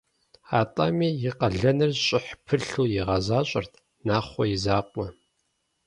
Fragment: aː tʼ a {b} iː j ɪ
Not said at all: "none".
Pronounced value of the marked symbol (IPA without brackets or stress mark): m